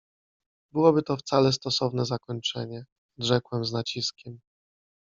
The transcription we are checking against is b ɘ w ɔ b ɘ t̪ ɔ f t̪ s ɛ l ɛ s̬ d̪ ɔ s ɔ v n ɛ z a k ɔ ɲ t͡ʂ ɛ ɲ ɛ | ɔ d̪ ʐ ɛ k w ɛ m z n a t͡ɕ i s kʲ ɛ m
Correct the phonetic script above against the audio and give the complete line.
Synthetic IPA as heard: b ɘ w ɔ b ɘ t̪ ɔ f t̪ s a l ɛ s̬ t̪ ɔ s ɔ v n ɛ z a k ɔ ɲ t͡ʂ ɛ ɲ ɛ | ɔ d̪ ʐ ɛ k w ɛ m z n a t͡ɕ i s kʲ ɛ m